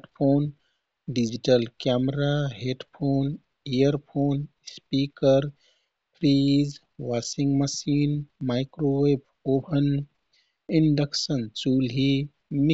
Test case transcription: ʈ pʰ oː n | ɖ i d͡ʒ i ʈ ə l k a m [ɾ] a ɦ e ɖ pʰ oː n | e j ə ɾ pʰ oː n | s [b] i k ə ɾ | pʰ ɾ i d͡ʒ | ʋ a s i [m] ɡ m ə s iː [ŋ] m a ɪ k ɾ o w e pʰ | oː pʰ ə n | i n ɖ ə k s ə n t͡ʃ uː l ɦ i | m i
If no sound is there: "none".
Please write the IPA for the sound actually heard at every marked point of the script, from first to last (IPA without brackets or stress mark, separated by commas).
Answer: ɾ, p, ŋ, n